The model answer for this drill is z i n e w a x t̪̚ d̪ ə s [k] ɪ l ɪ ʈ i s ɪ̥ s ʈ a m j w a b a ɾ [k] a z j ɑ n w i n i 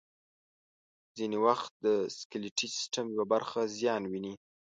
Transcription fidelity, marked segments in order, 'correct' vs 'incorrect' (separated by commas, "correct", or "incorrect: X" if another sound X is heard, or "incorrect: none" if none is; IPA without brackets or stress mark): correct, incorrect: x